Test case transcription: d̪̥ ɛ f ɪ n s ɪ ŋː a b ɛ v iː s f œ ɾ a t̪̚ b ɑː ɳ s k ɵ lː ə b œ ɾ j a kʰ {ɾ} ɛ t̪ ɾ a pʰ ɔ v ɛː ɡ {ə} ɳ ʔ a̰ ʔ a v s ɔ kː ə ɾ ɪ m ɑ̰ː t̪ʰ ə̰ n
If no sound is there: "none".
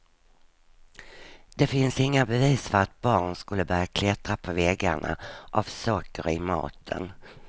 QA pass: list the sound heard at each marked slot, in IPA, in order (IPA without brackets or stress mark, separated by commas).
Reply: l, a